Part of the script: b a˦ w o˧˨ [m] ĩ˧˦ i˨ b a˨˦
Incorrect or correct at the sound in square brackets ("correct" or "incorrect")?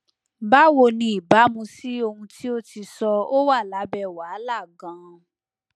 incorrect